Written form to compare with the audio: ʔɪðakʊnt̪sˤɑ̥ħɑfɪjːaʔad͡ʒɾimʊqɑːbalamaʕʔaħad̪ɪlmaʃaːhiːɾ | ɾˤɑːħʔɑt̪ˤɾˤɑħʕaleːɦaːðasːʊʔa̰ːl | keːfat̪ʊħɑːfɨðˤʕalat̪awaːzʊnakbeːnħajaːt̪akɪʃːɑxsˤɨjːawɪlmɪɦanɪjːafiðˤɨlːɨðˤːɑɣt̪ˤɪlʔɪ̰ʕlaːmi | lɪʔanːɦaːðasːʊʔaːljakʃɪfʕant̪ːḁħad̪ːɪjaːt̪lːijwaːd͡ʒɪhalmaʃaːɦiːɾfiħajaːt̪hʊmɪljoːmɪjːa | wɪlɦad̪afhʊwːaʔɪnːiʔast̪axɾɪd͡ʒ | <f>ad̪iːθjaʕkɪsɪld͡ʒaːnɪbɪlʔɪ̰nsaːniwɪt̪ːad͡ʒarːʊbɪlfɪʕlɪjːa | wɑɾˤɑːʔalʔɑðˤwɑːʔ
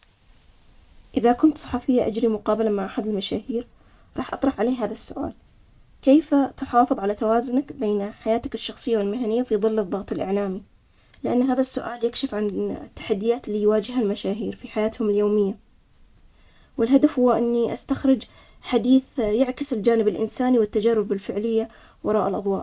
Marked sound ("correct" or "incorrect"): incorrect